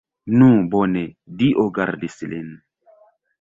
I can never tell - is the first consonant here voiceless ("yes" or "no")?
no